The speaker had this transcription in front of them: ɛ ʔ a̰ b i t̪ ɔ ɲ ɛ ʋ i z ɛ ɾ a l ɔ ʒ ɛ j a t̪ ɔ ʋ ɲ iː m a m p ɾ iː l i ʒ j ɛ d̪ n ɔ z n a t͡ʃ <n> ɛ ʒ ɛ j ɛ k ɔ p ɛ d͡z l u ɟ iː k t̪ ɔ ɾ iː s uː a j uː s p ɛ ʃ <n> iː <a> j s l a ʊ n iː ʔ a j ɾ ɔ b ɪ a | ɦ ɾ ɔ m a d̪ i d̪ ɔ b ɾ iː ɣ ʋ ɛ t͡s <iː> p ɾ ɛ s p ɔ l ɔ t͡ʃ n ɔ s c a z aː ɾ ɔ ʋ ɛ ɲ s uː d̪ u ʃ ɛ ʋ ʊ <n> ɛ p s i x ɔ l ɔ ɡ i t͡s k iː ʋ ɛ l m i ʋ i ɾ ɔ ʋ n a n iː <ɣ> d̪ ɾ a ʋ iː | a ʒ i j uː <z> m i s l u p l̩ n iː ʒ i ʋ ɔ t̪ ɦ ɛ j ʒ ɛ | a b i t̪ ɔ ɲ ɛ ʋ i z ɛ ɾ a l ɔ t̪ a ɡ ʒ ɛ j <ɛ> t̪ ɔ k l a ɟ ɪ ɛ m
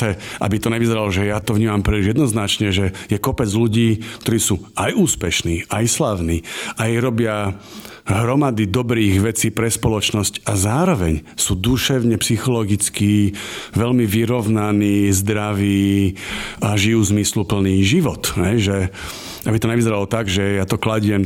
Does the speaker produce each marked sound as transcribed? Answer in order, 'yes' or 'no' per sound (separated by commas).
no, yes, yes, yes, no, no, yes, no